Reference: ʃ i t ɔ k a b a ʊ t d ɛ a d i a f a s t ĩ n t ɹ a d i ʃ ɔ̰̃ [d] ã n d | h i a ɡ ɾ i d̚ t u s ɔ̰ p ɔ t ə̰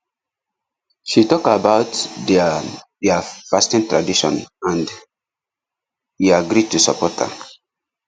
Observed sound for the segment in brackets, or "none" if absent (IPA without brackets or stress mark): n